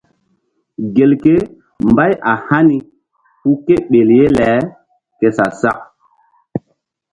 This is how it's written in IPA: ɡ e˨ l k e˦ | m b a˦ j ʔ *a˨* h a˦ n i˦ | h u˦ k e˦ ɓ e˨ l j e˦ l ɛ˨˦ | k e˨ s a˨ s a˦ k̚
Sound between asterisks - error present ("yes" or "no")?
no